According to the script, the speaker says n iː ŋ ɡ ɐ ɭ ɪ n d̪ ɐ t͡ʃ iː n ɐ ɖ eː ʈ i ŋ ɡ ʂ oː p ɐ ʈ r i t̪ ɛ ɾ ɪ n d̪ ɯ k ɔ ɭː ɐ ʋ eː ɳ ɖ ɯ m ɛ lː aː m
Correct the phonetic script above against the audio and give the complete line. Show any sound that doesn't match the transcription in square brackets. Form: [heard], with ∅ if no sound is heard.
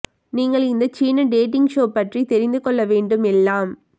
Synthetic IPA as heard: n iː ŋ ɡ ɐ ɭ ɪ n d̪ ɐ t͡ʃ iː n ɐ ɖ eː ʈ [ɪ] ŋ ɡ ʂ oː p ɐ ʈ r i t̪ ɛ ɾ ɪ n d̪ ɯ k ɔ ɭː ɐ ʋ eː ɳ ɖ ɯ m ɛ lː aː m